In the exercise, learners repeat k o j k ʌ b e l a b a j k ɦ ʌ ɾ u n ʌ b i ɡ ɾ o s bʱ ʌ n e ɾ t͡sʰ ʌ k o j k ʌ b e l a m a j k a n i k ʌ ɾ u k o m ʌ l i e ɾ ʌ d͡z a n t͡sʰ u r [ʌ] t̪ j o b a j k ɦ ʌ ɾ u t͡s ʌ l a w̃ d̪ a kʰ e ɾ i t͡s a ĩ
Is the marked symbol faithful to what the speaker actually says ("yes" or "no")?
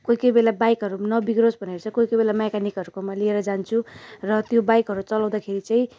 yes